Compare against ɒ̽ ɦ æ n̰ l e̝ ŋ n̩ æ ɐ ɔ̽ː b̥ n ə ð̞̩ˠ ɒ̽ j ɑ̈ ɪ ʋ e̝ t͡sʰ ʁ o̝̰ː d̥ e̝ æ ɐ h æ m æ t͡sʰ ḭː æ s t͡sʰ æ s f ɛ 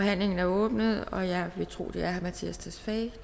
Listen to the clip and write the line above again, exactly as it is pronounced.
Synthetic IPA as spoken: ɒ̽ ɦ æ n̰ l e̝ ŋ n̩ æ ɐ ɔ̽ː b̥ n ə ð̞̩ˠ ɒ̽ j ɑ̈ ɪ ʋ e̝ t͡sʰ ʁ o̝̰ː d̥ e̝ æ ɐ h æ m æ t͡sʰ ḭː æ s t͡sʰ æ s f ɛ